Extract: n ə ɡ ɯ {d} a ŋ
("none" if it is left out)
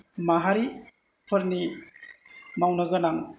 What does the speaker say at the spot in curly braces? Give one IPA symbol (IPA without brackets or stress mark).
n